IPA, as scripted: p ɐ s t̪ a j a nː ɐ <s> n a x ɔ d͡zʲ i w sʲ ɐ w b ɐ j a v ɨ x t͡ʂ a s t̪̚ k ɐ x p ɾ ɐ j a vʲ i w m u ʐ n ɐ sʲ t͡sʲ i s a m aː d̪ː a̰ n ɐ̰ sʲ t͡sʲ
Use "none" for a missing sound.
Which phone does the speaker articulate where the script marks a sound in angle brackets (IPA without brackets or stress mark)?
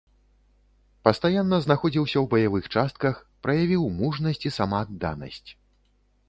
z